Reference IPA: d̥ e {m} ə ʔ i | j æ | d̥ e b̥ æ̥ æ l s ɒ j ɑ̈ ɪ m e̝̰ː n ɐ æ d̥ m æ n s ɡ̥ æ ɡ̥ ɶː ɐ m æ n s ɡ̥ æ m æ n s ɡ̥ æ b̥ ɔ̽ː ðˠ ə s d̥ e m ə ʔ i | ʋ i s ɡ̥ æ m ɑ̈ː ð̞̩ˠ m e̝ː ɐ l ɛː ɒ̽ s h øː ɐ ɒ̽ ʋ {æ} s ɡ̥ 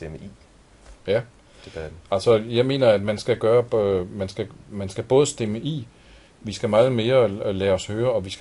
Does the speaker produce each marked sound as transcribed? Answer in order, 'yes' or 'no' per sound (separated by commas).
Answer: yes, no